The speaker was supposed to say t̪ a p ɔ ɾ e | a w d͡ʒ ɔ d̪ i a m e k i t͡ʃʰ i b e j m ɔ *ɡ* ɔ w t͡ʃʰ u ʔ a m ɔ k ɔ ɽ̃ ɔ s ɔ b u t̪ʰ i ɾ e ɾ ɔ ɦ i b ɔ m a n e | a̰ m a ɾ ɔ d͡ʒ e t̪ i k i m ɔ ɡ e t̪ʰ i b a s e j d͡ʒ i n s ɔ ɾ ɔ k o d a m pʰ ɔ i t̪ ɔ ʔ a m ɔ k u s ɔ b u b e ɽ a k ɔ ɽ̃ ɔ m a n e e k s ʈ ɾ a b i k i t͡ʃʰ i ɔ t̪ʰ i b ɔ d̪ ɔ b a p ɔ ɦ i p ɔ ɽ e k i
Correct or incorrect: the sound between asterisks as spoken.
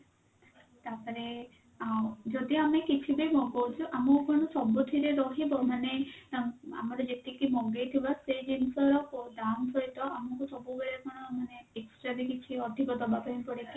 correct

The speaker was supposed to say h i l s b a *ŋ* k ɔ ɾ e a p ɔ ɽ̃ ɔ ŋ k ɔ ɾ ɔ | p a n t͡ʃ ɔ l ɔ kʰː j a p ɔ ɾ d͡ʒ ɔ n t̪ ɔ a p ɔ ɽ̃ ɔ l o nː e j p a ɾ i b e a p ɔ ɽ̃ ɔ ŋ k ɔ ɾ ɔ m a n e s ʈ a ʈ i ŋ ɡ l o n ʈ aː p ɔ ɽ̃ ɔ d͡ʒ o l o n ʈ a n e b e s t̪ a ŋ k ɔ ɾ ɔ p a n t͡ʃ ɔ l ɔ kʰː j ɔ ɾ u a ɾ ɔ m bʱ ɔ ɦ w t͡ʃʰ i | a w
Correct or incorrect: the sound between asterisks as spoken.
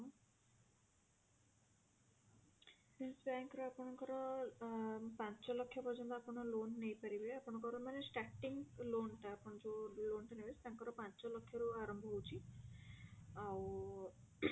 correct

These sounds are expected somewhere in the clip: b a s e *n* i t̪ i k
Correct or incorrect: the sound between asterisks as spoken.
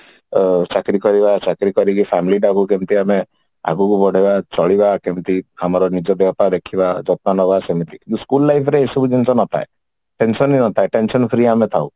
incorrect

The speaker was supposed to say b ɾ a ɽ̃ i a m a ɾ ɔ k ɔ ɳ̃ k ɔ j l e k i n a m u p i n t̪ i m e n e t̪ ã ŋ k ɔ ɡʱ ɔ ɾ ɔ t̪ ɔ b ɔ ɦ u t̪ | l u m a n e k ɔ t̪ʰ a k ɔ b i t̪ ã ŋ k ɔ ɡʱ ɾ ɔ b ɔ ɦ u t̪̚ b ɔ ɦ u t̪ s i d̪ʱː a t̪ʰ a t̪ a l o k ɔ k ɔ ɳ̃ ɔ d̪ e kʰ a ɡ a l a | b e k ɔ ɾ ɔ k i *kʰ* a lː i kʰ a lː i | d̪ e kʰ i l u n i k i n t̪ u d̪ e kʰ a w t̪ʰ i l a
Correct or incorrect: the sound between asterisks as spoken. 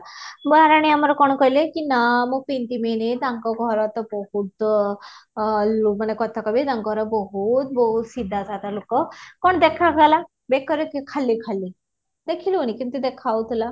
correct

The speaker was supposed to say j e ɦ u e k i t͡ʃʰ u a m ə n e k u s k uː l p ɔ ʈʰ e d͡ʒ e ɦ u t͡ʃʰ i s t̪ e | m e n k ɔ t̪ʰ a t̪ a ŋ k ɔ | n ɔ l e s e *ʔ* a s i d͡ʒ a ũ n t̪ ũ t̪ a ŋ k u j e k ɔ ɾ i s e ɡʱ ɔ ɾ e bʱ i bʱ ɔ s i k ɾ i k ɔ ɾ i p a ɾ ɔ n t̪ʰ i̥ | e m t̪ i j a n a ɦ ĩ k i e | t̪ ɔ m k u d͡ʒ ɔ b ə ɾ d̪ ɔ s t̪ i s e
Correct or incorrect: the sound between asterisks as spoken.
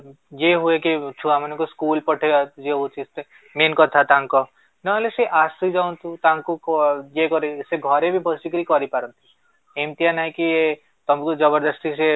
correct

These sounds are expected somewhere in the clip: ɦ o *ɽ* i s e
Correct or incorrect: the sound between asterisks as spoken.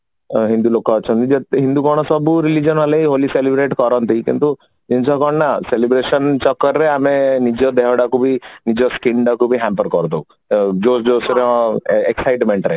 incorrect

